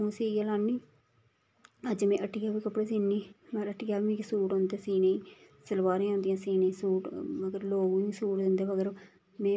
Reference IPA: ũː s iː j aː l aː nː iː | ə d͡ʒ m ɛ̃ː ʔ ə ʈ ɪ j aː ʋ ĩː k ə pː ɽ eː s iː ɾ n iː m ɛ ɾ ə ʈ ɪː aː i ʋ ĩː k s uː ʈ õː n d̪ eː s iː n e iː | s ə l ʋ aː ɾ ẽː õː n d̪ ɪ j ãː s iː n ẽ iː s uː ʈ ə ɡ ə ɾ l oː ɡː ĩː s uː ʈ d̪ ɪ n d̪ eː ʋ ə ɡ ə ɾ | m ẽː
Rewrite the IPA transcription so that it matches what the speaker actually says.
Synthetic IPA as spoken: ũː s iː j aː l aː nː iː | ə d͡ʒ m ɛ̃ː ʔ ə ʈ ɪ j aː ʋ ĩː k ə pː ɽ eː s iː n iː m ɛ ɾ ə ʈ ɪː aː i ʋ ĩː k s uː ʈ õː n d̪ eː s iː n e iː | s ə l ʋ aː ɾ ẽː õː n d̪ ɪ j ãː s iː n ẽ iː s uː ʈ ə ɡ ə ɾ l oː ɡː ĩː s uː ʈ d̪ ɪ n d̪ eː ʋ ə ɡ ə ɾ | m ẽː